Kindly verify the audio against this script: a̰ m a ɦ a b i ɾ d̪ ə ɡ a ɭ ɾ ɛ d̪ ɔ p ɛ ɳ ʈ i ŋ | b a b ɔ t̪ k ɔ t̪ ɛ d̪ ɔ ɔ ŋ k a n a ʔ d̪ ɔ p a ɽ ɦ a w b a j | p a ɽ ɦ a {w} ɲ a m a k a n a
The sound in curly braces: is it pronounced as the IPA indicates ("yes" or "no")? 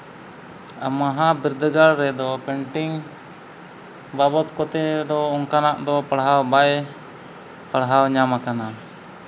yes